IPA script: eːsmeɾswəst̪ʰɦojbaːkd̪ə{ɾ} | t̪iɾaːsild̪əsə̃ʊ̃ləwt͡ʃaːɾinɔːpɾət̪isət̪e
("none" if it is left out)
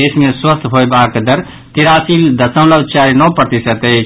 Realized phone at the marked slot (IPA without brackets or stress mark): ɾ